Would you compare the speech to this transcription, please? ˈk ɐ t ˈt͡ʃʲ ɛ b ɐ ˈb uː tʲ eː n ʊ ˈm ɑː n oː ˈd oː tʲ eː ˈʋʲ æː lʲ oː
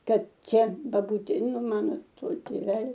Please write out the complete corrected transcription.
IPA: ˈk ɐ t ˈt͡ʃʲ ɛ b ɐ ˈb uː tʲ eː n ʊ ˈm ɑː n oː ˈt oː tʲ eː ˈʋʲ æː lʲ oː